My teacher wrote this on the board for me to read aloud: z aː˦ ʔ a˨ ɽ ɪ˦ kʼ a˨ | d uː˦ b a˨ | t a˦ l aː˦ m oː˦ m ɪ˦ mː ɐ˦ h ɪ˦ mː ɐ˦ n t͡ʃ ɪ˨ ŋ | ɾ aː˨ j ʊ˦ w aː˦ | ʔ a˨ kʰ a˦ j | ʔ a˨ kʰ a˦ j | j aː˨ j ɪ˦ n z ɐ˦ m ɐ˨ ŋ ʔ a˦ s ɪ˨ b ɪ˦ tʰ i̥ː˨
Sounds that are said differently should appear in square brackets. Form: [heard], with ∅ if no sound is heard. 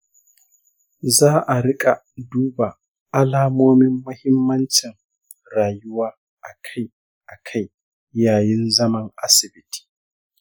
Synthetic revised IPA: z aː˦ ʔ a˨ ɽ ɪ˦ kʼ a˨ | d uː˦ b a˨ | [ʔ] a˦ l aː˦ m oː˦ m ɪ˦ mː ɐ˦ h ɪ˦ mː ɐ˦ n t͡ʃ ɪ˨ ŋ | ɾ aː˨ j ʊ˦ w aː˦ | ʔ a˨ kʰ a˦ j | ʔ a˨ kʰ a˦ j | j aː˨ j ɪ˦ n z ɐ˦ m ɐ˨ ŋ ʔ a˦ s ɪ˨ b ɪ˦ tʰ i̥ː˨

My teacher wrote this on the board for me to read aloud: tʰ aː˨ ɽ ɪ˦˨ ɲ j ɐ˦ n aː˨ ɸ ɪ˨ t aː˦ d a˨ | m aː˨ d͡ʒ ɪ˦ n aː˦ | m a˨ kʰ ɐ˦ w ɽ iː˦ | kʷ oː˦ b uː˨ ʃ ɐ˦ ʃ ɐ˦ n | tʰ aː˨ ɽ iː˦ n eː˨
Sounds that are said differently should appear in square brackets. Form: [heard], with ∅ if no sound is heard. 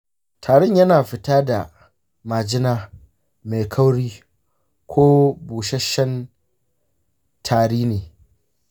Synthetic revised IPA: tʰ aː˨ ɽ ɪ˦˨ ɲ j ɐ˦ n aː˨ ɸ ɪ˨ t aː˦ d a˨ | m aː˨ d͡ʒ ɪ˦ n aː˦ | m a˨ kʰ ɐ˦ w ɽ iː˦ | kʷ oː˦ b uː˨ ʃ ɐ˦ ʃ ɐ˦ n | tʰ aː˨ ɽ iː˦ n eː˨

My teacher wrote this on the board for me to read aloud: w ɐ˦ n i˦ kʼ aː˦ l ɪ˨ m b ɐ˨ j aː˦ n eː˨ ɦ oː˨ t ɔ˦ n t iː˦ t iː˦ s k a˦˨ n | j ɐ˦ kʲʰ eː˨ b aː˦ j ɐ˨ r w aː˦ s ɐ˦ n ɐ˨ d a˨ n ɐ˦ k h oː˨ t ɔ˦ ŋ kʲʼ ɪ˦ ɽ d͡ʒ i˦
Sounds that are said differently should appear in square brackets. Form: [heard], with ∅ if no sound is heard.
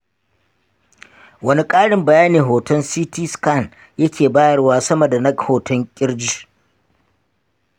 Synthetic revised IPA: w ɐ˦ n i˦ kʼ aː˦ [ɽ] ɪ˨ m b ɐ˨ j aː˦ n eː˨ ɦ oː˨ t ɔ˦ n [s] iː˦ t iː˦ s k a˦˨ n | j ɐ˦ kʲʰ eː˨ b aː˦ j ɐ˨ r w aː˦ s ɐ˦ [m] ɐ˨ d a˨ n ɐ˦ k h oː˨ t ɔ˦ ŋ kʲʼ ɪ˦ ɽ d͡ʒ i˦

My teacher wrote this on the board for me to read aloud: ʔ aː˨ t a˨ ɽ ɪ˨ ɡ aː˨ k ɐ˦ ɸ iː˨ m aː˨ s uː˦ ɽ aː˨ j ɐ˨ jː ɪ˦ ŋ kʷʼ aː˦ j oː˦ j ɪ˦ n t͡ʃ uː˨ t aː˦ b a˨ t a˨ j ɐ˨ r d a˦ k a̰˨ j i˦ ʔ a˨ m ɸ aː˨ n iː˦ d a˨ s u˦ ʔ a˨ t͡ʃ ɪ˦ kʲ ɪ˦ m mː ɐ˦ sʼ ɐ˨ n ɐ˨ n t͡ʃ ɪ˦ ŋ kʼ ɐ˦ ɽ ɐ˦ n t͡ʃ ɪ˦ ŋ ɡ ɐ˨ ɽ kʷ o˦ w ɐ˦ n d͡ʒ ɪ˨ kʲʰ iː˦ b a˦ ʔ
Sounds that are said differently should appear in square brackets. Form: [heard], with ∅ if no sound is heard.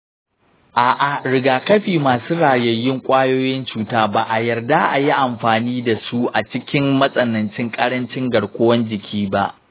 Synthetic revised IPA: ʔ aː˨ [ʔ] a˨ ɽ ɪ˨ ɡ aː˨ k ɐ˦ ɸ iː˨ m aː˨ s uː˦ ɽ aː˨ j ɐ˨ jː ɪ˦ ŋ kʷʼ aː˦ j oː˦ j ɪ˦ n t͡ʃ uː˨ t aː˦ b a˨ [ʔ] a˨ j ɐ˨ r d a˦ [ʔ] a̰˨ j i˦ ʔ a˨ m ɸ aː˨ n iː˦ d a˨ s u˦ ʔ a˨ t͡ʃ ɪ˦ kʲ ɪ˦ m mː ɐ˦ sʼ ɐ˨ n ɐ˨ n t͡ʃ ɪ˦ ŋ kʼ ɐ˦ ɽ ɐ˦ n t͡ʃ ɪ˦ ŋ ɡ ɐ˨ ɽ kʷ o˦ w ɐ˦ n d͡ʒ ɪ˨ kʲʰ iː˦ b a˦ ʔ

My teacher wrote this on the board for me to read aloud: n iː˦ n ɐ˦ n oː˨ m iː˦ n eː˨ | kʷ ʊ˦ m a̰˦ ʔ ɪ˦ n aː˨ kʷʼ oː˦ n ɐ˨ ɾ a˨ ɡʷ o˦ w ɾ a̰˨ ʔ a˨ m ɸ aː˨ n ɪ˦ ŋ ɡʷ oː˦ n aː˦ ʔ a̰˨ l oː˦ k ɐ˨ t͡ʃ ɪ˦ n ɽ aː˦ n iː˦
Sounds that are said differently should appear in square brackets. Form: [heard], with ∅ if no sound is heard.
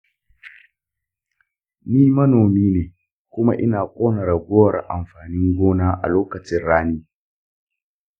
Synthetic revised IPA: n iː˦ [m] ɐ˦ n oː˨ m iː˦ n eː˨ | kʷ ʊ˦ m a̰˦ ʔ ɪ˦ n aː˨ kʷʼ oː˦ n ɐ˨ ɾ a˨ ɡʷ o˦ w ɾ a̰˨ ʔ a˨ m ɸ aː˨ n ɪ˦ ŋ ɡʷ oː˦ n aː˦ ʔ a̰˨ l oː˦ k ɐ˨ t͡ʃ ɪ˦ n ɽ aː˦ n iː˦

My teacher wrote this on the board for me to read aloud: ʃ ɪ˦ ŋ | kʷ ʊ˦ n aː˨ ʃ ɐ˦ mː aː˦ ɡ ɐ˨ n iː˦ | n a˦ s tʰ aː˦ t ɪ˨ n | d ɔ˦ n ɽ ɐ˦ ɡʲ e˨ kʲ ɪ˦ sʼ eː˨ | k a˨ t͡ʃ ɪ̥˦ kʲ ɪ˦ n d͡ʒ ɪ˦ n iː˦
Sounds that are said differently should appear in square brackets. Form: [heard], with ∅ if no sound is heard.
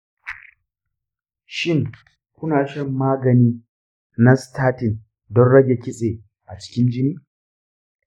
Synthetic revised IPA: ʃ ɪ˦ ŋ | kʷ ʊ˦ n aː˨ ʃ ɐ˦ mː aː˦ ɡ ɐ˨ n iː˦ | n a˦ s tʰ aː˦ t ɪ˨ n | d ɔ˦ n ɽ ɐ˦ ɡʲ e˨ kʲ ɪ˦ sʼ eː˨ | [ʔ] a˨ t͡ʃ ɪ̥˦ kʲ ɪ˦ n d͡ʒ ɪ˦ n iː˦

